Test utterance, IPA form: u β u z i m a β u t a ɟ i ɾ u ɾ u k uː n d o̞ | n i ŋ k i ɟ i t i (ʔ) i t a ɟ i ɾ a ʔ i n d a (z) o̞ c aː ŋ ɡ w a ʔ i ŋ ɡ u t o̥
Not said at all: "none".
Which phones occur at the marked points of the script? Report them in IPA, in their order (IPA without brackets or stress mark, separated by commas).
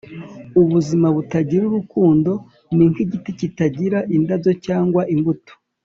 c, z